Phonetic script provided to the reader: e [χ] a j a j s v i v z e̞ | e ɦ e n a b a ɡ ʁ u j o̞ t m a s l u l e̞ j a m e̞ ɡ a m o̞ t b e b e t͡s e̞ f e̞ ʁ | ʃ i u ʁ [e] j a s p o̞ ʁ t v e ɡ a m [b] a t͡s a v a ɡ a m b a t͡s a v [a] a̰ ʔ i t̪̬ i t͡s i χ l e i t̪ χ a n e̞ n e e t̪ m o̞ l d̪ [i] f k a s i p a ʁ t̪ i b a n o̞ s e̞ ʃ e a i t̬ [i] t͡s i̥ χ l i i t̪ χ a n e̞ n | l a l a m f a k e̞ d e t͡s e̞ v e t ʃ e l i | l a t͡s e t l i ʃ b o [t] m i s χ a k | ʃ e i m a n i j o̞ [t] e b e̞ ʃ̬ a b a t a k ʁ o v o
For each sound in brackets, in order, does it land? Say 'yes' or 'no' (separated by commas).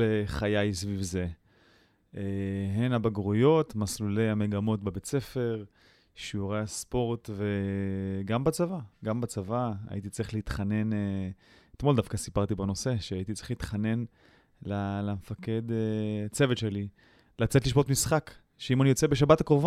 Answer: yes, yes, yes, yes, no, yes, yes, no